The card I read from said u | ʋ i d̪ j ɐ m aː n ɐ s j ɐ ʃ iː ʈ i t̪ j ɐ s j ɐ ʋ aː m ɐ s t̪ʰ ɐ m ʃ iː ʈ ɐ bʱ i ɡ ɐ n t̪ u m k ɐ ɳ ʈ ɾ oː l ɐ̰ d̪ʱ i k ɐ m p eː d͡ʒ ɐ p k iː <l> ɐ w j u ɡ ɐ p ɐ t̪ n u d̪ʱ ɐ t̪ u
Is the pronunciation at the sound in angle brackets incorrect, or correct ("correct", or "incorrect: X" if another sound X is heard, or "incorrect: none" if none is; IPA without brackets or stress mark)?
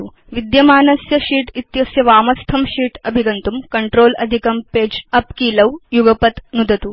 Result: correct